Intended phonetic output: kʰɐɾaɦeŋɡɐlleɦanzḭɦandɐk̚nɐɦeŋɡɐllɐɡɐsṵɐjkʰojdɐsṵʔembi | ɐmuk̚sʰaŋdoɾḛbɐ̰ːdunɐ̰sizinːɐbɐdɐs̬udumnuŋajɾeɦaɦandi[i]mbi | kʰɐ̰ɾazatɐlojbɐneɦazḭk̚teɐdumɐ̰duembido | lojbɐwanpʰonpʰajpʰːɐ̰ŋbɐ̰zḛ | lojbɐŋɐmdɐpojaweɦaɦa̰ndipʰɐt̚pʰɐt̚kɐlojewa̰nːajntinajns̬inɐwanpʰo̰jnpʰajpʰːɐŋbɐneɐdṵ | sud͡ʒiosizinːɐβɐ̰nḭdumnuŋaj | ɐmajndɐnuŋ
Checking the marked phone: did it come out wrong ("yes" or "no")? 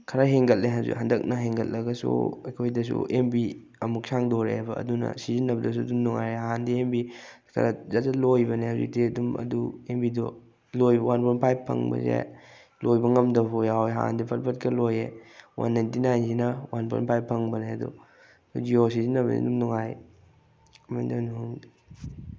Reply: yes